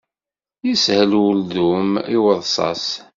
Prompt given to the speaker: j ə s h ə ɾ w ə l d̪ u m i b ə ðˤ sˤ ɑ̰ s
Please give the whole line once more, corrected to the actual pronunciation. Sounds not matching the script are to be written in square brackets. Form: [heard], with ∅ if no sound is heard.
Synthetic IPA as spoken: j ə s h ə [l] w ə l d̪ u m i [w] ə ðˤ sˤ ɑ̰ s